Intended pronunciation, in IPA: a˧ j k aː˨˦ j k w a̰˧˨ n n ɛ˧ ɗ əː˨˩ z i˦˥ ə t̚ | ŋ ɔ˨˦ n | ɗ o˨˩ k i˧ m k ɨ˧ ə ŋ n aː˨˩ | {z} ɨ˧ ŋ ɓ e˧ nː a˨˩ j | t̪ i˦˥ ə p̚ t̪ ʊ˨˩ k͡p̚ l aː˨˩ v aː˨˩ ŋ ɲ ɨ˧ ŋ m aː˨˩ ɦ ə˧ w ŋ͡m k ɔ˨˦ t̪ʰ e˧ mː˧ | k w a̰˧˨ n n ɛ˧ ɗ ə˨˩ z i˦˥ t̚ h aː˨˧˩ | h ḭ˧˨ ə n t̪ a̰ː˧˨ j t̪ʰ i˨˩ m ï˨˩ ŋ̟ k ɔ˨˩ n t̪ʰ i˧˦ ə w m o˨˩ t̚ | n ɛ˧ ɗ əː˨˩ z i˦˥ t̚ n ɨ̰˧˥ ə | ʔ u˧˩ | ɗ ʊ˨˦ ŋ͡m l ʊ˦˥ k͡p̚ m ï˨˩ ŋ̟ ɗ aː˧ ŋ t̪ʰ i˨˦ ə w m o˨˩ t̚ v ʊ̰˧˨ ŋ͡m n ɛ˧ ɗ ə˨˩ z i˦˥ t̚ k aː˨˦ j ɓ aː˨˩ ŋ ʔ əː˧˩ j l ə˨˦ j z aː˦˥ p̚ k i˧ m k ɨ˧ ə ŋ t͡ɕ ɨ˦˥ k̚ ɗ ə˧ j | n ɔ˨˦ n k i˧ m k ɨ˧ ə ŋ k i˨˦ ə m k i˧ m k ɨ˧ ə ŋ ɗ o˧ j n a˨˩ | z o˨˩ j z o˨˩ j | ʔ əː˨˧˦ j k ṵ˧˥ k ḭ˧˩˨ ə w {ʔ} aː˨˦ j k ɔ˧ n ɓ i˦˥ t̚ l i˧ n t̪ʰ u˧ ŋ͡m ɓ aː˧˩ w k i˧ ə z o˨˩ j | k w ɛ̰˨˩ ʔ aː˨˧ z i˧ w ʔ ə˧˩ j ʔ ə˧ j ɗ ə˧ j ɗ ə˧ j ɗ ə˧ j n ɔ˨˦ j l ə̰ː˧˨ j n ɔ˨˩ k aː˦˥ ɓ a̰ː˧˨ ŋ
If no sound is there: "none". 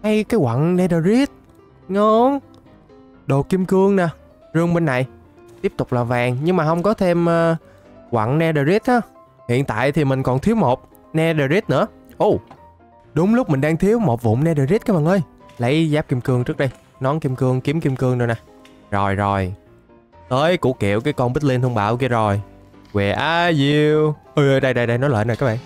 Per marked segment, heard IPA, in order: z, k

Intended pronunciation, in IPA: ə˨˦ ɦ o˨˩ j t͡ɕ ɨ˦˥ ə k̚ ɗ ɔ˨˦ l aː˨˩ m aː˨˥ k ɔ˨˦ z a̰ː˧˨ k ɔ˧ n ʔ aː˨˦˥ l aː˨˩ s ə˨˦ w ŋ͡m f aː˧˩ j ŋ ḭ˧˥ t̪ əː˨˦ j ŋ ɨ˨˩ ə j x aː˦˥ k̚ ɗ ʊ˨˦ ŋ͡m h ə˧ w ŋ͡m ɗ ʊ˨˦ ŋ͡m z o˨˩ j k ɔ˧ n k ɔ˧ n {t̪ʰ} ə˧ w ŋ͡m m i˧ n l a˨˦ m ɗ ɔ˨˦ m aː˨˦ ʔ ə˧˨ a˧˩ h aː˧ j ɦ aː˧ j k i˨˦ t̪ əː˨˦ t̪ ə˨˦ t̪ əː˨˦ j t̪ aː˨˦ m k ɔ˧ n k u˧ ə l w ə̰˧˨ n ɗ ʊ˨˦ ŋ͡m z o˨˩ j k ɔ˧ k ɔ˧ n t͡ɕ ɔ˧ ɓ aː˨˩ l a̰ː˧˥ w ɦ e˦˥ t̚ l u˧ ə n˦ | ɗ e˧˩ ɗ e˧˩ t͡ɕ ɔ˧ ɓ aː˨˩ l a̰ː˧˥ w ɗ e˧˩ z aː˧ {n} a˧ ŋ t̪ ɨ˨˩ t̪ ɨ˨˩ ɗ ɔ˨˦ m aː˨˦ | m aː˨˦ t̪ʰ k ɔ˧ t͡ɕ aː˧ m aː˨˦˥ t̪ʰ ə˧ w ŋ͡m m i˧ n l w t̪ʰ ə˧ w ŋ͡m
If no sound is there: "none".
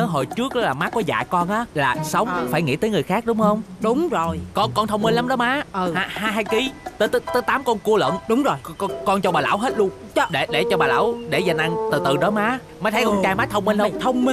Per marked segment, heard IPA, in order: t̪ʰ, n

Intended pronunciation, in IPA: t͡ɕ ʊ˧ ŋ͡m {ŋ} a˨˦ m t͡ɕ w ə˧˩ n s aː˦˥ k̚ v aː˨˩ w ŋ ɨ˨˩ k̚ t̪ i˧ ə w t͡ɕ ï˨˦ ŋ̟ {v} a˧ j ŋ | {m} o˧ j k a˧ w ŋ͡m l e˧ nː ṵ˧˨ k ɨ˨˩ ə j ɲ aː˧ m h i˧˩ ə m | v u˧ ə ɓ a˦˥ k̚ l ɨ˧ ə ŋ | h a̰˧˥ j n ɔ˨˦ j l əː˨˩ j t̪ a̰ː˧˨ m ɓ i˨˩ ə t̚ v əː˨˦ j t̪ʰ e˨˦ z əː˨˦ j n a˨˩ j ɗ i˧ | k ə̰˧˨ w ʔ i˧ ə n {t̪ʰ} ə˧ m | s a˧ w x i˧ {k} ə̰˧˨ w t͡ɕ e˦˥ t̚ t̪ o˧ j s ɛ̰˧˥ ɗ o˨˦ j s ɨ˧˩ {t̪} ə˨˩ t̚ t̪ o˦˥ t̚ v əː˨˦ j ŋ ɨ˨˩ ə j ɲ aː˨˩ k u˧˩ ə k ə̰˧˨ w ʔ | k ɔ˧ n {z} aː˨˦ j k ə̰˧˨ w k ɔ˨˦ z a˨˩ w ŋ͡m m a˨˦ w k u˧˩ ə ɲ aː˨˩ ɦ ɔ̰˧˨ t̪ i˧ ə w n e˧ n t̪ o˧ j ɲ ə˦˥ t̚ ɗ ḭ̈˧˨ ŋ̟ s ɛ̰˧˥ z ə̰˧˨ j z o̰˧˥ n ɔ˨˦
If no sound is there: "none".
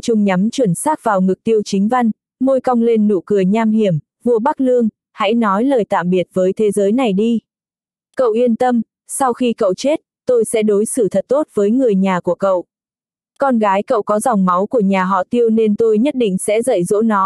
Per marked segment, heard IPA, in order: ɲ, v, m, t̪, k, t̪ʰ, ɣ

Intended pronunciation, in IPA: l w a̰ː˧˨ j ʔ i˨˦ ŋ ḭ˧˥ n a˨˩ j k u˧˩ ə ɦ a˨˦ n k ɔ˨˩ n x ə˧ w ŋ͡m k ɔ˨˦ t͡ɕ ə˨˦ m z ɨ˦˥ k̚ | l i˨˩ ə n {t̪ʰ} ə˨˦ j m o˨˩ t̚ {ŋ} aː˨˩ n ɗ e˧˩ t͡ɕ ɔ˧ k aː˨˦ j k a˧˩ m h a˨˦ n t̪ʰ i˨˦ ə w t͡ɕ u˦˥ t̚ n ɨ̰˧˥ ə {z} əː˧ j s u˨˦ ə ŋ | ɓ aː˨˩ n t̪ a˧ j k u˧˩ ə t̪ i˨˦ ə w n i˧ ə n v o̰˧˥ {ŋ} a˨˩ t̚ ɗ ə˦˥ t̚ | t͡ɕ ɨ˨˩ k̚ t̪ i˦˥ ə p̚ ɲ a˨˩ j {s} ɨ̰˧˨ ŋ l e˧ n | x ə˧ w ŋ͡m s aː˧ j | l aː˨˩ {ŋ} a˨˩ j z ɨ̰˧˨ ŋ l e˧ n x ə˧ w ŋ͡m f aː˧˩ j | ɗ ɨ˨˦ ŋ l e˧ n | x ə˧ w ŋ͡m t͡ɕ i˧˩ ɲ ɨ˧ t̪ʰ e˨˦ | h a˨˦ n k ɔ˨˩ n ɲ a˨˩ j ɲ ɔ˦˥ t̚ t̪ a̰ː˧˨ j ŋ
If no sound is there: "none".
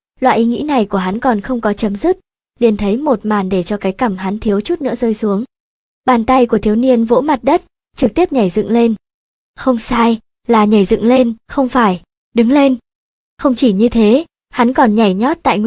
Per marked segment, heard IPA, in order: t̪ʰ, m, z, m, z, ɲ

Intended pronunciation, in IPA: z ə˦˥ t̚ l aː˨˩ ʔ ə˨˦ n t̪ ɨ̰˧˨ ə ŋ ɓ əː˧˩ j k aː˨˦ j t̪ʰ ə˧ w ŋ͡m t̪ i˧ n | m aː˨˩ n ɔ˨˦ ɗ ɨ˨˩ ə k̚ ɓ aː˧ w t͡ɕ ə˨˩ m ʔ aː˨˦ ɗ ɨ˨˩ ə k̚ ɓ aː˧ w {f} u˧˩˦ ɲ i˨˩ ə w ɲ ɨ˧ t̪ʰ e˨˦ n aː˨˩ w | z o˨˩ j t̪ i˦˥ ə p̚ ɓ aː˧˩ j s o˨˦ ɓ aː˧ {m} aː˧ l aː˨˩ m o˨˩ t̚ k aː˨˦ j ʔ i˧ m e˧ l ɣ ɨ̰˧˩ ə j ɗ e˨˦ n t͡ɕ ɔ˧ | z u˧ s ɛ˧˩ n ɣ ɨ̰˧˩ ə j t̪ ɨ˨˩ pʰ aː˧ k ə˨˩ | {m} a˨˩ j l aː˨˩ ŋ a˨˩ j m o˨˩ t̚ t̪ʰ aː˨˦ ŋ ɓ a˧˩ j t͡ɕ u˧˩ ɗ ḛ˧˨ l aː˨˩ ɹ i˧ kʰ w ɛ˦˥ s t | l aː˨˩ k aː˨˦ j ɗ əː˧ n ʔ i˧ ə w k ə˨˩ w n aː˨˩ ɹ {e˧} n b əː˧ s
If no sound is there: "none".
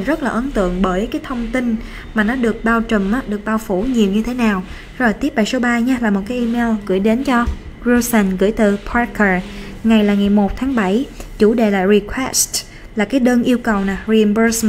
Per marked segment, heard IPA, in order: f, ɲ, ŋ, i˧

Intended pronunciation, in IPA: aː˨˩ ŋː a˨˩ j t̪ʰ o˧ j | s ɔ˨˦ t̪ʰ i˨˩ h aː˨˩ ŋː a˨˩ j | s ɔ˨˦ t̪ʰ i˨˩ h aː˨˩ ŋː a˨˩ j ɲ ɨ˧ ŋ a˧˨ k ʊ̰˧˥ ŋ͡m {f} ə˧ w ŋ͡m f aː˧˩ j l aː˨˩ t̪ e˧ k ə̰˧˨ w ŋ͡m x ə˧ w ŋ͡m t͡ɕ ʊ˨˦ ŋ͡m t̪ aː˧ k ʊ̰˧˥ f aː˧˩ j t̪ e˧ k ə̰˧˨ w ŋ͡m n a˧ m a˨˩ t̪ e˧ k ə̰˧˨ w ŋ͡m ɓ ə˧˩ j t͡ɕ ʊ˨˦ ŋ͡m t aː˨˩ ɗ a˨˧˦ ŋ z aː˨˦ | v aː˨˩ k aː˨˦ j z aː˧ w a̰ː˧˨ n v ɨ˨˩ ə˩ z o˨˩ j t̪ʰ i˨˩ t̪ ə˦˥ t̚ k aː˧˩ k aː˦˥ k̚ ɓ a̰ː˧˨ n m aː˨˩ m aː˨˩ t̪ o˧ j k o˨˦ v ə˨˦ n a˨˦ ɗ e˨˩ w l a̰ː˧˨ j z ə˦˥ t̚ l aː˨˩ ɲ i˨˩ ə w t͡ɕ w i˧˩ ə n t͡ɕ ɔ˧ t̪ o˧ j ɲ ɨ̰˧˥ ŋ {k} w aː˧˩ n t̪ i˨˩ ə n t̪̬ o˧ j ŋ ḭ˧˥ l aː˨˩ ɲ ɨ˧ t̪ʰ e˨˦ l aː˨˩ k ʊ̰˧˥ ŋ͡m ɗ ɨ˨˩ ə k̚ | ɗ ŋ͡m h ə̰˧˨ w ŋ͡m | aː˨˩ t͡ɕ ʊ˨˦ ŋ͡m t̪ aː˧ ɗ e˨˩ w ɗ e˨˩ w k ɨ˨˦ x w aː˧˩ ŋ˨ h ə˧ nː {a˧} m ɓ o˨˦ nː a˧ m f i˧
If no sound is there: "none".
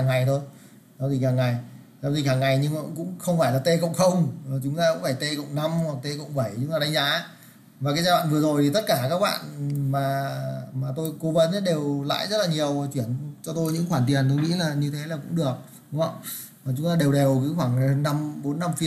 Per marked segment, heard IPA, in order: x, x, a˧

